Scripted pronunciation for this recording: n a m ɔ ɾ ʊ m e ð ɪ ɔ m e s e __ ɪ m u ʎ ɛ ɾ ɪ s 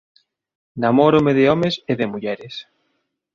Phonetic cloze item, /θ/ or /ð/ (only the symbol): ð